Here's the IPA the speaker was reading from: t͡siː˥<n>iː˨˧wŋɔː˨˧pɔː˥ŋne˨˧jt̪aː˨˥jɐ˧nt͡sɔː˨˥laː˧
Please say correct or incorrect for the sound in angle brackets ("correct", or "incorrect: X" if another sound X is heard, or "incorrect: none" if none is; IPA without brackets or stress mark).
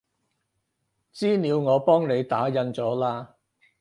correct